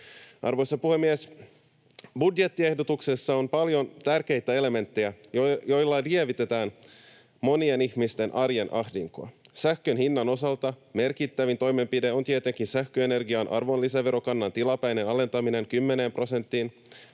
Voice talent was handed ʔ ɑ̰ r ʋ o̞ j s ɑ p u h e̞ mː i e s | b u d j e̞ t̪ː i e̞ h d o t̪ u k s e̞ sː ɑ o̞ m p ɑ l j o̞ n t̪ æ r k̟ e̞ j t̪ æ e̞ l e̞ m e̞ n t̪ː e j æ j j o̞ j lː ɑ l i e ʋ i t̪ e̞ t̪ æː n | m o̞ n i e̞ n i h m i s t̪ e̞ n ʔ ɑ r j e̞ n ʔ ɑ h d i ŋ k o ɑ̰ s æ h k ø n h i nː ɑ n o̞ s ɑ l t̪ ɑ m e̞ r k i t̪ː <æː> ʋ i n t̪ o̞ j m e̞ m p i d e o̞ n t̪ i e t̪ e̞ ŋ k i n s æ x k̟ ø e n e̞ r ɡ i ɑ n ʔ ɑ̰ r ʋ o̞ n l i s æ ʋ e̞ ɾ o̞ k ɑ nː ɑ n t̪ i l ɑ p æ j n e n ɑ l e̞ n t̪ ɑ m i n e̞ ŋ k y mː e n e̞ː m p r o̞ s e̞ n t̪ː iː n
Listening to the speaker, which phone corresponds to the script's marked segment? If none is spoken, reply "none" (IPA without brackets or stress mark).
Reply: æ